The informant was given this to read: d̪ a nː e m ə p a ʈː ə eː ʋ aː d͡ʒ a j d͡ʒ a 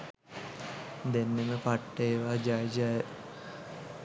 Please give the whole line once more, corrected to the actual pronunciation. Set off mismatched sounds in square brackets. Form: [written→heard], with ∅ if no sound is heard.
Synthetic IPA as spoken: d̪ [a→e] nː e m ə p a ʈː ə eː ʋ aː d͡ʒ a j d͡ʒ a